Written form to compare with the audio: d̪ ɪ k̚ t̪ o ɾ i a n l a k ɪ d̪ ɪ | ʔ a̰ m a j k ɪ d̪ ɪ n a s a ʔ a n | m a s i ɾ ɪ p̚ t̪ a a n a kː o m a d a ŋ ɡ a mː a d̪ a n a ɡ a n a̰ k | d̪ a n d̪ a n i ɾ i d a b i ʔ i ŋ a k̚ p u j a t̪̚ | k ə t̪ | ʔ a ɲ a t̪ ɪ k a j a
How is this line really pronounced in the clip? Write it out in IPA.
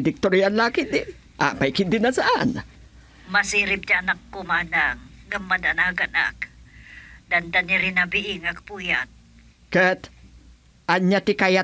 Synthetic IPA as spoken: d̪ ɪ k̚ t̪ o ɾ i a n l a k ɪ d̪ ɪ | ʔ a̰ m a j k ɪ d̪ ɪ n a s a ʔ a n | m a s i ɾ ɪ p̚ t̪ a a n a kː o m a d a ŋ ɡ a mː a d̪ a n a ɡ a n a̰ k | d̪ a n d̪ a n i ɾ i n a b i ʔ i ŋ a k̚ p u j a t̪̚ | k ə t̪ | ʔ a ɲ a t̪ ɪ k a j a